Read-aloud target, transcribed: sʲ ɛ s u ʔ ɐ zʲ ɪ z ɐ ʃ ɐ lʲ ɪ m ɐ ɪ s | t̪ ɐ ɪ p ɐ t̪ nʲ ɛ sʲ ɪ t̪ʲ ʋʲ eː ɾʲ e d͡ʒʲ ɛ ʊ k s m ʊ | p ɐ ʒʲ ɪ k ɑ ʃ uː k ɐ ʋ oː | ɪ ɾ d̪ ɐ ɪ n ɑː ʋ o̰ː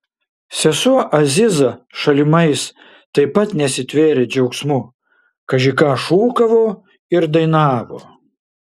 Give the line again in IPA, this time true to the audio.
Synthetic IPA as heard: sʲ ɛ s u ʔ ɐ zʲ ɪ z ɐ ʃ ɐ lʲ ɪ m ɐ ɪ s | t̪ ɐ ɪ p ɐ t̪ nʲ ɛ sʲ ɪ t̪ʲ ʋʲ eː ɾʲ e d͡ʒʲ ɛ ʊ k s m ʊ | k ɐ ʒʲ ɪ k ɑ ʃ uː k ɐ ʋ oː | ɪ ɾ d̪ ɐ ɪ n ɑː ʋ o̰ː

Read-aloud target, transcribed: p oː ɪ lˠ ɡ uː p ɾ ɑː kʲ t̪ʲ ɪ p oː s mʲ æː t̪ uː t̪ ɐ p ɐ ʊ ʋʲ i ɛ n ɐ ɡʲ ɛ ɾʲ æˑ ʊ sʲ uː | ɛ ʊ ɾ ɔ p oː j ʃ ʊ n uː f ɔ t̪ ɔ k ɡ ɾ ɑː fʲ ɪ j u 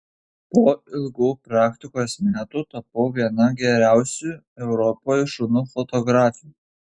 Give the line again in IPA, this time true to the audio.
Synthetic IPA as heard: p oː ɪ lˠ ɡ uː p ɾ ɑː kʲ t̪ʲ ɪ k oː s mʲ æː t̪ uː t̪ ɐ p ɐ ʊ ʋʲ i ɛ n ɐ ɡʲ ɛ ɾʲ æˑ ʊ sʲ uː | ɛ ʊ ɾ ɔ p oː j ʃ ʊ n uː f ɔ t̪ ɔ ɡ ɾ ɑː fʲ ɪ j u

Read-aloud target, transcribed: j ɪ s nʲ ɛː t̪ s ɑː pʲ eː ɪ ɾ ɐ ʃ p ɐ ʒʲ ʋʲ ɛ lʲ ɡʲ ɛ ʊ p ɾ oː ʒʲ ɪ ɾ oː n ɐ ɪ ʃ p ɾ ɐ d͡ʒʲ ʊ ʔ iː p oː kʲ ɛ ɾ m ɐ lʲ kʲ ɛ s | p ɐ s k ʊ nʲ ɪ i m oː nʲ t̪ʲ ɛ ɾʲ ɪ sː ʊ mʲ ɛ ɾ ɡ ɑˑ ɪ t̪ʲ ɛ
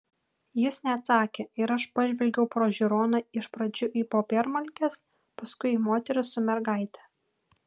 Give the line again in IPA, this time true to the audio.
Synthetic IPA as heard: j ɪ s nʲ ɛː t̪ s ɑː kʲ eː ɪ ɾ ɐ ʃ p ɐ ʒʲ ʋʲ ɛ lʲ ɡʲ ɛ ʊ p ɾ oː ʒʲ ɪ ɾ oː n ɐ ɪ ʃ p ɾ ɐ d͡ʒʲ ʊ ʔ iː p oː pʲ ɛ ɾ m ɐ lʲ kʲ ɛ s | p ɐ s k ʊ ɪ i m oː t̪ʲ ɛ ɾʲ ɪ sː ʊ mʲ ɛ ɾ ɡ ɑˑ ɪ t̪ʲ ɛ

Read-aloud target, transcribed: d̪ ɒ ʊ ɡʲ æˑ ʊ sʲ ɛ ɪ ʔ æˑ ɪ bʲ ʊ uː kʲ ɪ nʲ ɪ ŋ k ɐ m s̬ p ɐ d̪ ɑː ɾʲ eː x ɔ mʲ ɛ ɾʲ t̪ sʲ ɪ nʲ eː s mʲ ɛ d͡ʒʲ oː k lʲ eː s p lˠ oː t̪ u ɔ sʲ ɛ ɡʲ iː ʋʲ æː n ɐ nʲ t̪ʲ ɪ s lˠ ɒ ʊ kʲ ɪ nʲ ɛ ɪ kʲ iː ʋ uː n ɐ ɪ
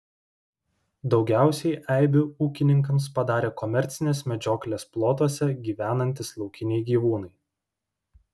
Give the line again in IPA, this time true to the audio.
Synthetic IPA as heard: d̪ ɒ ʊ ɡʲ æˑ ʊ sʲ ɛ ɪ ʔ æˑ ɪ bʲ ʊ uː kʲ ɪ nʲ ɪ ŋ k ɐ m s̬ p ɐ d̪ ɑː ɾʲ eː k ɔ mʲ ɛ ɾʲ t̪ sʲ ɪ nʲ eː s mʲ ɛ d͡ʒʲ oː k lʲ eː s p lˠ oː t̪ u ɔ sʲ ɛ ɡʲ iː ʋʲ æː n ɐ nʲ t̪ʲ ɪ s lˠ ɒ ʊ kʲ ɪ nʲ ɛ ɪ ɡʲ iː ʋ uː n ɐ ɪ

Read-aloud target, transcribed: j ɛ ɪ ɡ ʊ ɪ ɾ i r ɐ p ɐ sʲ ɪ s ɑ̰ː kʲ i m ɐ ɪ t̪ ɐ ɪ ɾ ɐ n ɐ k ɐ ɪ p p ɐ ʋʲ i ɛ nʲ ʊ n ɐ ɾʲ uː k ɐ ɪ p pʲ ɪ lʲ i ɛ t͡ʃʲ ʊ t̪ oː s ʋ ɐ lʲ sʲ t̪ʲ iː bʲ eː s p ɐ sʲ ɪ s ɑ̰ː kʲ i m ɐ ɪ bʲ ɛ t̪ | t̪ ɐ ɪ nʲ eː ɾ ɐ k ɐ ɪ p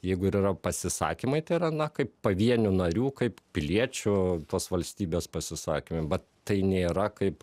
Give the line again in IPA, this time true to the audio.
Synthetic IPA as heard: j ɛ ɪ ɡ ʊ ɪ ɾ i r ɐ p ɐ sʲ ɪ s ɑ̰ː kʲ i m ɐ ɪ t̪ ɐ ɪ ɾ ɐ n ɐ k ɐ ɪ p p ɐ ʋʲ i ɛ nʲ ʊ n ɐ ɾʲ uː k ɐ ɪ p pʲ ɪ lʲ i ɛ t͡ʃʲ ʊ t̪ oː s ʋ ɐ lʲ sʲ t̪ʲ iː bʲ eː s p ɐ sʲ ɪ s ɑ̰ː kʲ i m ɐ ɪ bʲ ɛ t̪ | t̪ ɐ ɪ nʲ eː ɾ ɐ k ɐ ɪ p

